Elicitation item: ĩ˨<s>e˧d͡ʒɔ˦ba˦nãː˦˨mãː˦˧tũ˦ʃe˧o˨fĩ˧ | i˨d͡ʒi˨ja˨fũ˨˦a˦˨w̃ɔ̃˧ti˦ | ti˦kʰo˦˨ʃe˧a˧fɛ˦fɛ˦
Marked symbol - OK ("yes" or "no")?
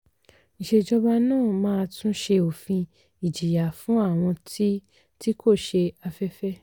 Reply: no